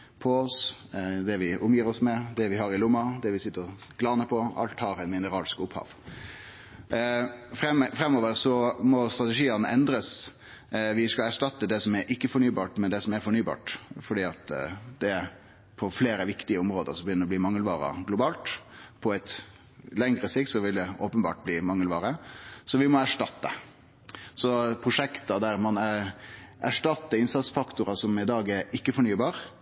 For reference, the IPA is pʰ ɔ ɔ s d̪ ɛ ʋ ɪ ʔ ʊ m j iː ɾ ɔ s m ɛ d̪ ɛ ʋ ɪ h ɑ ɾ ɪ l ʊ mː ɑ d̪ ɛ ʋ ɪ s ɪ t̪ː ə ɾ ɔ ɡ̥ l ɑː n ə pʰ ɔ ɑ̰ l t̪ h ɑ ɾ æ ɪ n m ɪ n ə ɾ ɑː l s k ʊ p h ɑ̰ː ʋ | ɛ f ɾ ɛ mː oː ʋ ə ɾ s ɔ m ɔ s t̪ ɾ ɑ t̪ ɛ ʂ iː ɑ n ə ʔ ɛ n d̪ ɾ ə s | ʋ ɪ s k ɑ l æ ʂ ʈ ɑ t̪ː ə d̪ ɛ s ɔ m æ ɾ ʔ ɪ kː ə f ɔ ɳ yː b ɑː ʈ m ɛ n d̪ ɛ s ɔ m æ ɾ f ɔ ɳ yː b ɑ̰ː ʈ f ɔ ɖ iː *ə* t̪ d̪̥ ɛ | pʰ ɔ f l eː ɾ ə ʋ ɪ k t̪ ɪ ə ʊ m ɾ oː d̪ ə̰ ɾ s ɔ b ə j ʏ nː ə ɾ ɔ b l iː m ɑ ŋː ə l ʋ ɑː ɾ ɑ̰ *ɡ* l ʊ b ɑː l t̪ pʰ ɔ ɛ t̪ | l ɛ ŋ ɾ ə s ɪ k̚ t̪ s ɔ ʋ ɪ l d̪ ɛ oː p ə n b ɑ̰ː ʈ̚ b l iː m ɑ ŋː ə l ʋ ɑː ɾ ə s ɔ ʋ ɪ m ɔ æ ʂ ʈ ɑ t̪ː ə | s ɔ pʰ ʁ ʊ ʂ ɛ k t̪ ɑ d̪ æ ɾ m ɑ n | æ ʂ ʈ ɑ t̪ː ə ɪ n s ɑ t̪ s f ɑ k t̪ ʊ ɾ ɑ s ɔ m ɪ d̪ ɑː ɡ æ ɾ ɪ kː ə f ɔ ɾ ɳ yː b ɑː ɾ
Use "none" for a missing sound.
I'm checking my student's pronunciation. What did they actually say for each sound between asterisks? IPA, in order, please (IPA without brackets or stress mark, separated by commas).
ɑ, ɡ